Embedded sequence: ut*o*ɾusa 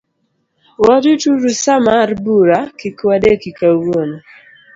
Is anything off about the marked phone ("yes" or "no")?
yes